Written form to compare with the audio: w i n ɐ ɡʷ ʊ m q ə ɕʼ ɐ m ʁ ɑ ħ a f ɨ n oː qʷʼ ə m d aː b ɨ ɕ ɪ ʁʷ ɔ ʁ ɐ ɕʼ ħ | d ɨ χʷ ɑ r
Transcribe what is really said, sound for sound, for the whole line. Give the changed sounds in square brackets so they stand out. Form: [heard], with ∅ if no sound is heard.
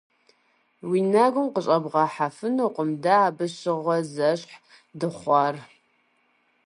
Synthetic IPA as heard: w i n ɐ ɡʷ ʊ m q ə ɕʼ ɐ [b] ʁ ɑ ħ a f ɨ n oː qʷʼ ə m d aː b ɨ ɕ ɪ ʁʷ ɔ [z] ɐ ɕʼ ħ | d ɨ χʷ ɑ r